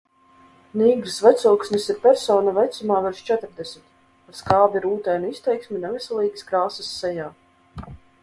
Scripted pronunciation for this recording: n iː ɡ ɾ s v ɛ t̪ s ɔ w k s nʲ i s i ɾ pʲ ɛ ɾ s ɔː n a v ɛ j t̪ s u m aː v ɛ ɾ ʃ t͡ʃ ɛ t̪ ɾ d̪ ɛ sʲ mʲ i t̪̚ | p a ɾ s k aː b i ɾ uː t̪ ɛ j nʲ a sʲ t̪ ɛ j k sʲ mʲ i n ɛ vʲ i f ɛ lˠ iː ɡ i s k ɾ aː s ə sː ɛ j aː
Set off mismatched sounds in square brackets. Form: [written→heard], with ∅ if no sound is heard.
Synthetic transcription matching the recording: n iː ɡ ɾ s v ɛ t̪ s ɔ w k s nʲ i s i ɾ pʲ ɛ ɾ s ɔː n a v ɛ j t̪ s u m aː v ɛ ɾ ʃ t͡ʃ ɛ t̪ ɾ d̪ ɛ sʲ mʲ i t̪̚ | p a ɾ s k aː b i ɾ uː t̪ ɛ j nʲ [a→i] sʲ t̪ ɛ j k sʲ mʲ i n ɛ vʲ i [f→s] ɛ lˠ iː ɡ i s k ɾ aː s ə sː ɛ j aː